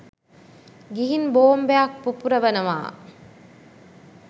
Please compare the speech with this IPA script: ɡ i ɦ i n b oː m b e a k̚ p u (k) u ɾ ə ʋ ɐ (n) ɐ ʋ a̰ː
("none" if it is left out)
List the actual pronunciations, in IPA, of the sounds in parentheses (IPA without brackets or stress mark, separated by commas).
p, n